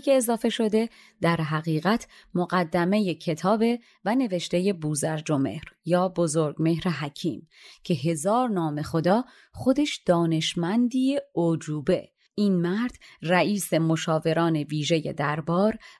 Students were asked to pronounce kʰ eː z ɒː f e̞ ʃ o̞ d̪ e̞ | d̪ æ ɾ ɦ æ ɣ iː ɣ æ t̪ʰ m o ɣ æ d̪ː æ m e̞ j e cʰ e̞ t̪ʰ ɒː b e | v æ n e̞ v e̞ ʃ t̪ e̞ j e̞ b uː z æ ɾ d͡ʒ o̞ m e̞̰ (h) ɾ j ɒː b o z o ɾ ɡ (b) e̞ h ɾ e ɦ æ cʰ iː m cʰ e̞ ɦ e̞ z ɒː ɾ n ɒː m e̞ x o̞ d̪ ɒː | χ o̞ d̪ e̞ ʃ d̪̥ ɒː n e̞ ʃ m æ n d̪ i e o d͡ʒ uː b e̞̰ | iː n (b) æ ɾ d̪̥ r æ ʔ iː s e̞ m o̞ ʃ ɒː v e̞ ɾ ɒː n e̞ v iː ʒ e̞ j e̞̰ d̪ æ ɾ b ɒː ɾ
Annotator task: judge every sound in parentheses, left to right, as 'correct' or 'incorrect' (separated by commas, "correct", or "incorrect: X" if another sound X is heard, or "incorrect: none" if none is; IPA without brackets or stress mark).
correct, incorrect: m, incorrect: m